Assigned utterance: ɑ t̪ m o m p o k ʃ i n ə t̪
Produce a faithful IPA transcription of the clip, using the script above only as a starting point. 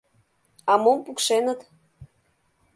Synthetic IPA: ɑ m o m p u k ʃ e n ə t̪